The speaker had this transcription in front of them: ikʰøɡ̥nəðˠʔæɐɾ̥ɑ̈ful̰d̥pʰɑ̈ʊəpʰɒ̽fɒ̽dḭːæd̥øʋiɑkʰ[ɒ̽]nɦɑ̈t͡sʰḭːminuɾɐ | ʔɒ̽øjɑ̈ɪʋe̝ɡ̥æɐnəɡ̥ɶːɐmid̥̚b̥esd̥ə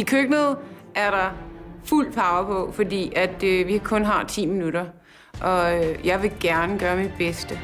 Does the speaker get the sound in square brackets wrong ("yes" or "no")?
yes